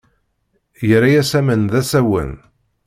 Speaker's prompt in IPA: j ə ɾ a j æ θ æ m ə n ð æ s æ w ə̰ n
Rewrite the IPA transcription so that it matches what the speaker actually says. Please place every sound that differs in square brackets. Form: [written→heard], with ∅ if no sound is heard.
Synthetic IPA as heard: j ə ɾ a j æ [θ→s] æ m ə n ð æ s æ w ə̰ n